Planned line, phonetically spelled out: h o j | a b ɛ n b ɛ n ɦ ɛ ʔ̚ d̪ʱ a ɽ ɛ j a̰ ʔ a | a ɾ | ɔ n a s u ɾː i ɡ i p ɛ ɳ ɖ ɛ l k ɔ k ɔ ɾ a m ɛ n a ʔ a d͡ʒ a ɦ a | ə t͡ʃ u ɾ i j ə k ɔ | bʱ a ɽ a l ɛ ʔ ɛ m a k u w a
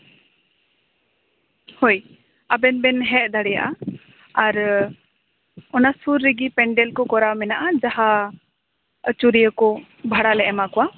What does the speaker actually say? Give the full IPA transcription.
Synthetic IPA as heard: h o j | a b ɛ n b ɛ n ɦ ɛ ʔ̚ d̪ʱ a ɽ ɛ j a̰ ʔ a | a ɾ | ɔ n a s u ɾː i ɡ i p ɛ ɳ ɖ ɛ l k ɔ k ɔ ɾ a m ɛ n a ʔ a d͡ʒ a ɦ a | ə t͡ʃ u ɾ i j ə k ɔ | bʱ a ɽ a l ɛ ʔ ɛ m a k ɔ w a